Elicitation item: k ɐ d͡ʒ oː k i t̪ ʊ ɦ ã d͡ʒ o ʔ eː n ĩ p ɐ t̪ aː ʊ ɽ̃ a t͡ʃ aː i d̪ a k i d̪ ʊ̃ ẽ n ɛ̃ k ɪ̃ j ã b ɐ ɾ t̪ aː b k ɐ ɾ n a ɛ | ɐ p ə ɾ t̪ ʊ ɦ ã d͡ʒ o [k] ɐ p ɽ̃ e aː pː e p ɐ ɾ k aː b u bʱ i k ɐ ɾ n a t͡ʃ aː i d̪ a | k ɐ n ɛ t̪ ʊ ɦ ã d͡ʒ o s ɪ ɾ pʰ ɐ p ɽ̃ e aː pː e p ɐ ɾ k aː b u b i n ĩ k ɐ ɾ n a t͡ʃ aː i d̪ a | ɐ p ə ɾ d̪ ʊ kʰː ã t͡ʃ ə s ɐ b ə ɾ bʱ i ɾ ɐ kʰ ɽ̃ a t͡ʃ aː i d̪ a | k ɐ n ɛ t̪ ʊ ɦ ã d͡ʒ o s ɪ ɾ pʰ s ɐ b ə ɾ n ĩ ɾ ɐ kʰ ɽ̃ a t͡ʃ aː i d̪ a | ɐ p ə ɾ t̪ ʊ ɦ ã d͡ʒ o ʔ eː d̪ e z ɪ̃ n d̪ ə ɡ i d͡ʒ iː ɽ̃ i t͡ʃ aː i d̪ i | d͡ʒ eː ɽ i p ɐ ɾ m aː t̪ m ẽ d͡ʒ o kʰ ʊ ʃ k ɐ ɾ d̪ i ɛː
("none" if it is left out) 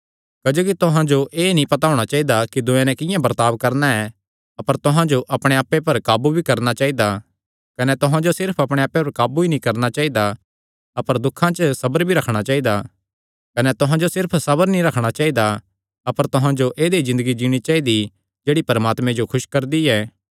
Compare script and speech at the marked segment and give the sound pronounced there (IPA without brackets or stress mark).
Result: ʔ